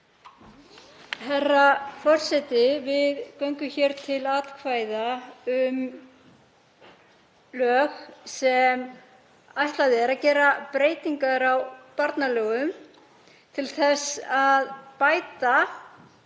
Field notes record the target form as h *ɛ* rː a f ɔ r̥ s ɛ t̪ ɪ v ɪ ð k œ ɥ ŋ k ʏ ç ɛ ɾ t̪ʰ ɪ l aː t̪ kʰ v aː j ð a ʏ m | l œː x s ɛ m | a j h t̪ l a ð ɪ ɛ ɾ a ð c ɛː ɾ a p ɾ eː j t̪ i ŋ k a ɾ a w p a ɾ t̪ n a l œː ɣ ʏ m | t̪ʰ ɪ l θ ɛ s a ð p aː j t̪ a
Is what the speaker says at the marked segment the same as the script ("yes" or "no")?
yes